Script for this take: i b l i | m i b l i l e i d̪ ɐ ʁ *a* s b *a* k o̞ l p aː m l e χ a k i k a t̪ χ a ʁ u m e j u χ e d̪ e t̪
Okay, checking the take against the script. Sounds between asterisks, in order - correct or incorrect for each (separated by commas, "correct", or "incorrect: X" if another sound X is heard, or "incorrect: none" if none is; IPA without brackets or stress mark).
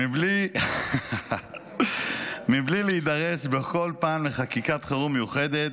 incorrect: e, incorrect: e